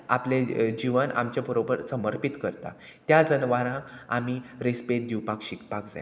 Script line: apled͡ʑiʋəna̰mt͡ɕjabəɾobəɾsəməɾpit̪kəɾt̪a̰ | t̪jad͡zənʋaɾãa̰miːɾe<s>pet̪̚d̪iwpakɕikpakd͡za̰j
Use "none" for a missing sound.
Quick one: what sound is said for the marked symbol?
s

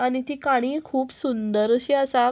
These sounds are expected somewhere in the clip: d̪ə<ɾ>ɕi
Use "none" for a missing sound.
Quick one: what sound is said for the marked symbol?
ɾ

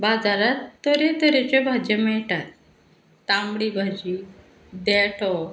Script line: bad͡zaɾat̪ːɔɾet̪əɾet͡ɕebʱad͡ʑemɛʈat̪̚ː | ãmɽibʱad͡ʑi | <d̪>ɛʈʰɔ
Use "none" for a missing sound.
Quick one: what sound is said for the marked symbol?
d̪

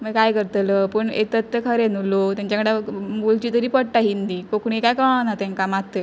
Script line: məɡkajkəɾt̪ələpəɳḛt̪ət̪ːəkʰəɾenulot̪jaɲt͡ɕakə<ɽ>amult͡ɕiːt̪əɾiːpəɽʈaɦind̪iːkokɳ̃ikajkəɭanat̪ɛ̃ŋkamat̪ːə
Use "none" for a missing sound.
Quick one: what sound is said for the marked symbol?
ɽ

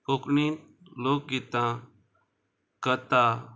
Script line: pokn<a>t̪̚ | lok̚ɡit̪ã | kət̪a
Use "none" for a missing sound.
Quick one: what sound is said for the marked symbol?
i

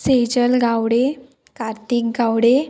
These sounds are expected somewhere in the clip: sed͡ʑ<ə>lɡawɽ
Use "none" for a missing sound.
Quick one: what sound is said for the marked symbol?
ə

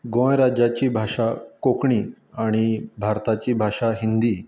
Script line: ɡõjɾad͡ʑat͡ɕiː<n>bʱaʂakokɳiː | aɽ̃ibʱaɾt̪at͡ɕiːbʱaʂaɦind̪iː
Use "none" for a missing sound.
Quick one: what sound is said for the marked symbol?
none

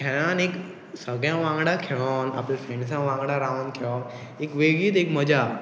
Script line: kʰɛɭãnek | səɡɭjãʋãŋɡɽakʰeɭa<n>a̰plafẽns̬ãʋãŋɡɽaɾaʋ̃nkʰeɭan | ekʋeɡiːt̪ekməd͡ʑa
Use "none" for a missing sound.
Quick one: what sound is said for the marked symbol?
n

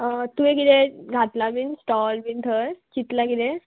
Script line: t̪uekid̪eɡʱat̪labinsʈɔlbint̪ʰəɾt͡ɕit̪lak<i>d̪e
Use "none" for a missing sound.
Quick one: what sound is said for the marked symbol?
i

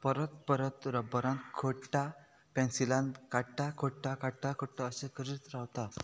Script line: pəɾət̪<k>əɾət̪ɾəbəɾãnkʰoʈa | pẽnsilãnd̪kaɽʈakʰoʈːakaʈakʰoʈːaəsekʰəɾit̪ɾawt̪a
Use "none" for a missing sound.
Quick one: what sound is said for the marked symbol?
p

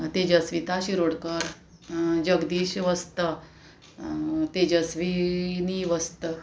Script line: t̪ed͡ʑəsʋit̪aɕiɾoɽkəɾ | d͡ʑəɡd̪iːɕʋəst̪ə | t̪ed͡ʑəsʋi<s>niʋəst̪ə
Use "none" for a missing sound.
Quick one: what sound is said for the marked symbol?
none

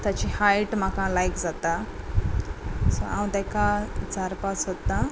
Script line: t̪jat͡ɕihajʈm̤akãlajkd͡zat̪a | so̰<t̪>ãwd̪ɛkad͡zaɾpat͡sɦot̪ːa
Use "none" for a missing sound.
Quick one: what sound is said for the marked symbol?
none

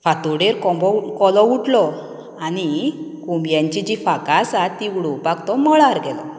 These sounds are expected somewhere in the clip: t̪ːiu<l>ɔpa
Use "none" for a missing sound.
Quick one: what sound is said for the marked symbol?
ɽ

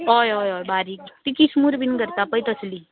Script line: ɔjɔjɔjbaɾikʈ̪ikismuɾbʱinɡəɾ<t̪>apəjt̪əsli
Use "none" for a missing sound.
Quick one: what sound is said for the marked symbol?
t̪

